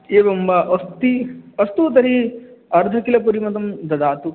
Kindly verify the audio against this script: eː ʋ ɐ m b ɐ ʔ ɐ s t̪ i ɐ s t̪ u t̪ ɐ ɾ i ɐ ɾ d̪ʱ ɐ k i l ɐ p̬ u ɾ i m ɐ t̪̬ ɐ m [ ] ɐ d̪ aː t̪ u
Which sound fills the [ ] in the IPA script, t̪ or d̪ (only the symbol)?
d̪